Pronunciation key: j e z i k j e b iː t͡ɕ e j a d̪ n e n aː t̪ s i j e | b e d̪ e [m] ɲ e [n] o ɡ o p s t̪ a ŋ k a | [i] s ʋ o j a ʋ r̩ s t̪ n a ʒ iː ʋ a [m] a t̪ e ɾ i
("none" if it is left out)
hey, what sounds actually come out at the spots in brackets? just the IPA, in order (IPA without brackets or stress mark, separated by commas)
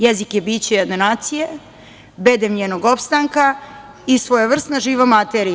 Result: m, n, i, m